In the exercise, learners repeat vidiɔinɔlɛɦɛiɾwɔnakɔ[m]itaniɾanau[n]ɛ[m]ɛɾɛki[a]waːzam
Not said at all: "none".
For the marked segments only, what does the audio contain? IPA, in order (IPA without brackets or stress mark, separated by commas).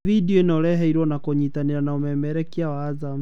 ɲ, m, m, a